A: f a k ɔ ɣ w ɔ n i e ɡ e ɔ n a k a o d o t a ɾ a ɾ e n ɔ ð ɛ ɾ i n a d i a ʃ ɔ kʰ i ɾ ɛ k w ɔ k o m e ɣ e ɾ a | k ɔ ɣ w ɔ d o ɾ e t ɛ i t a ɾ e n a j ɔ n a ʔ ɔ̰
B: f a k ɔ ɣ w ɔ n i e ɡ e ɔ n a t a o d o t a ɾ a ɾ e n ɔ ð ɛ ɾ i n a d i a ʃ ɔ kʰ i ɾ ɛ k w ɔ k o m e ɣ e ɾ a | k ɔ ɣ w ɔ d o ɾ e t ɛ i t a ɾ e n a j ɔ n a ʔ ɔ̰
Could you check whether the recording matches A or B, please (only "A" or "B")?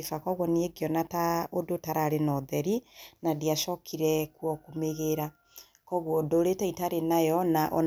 B